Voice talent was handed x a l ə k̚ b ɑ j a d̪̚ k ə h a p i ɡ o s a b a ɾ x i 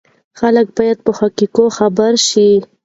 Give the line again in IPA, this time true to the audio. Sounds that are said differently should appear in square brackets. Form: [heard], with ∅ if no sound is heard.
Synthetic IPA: x a l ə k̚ b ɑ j a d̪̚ [p] ə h a [k] i [k] o [x] a b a ɾ [ʃ] i